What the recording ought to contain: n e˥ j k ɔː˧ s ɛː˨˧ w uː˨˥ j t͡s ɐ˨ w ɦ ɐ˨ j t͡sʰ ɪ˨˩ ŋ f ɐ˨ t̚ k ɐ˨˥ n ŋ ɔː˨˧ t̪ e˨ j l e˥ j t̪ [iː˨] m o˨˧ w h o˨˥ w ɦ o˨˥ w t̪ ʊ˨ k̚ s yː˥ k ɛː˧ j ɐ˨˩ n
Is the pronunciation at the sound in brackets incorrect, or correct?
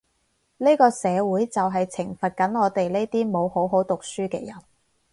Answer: incorrect